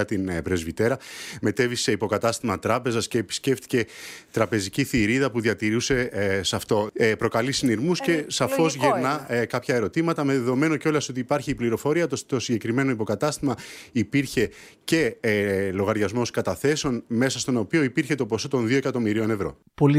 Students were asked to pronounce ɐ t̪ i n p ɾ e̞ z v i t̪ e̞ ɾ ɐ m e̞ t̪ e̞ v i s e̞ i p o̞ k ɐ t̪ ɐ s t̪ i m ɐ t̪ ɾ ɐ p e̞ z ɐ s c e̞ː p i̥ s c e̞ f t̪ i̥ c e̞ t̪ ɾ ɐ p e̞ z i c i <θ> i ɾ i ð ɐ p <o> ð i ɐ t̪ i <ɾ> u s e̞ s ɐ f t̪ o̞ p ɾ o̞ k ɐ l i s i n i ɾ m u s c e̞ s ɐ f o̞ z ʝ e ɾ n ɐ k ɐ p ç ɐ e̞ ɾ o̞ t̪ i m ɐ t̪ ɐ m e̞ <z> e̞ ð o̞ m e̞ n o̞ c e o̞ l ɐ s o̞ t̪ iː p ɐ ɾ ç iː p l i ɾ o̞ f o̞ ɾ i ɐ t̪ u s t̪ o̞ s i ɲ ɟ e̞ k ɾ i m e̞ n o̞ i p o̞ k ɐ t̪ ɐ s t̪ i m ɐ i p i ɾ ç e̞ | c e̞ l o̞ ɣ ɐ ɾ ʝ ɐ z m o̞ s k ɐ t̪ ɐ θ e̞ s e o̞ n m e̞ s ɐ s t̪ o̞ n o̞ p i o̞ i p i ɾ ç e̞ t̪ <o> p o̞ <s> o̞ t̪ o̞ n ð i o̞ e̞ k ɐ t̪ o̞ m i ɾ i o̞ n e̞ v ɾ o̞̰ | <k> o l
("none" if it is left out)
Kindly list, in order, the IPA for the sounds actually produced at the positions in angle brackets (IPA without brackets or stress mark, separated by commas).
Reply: θ, u, ɾ, ð, o, s, p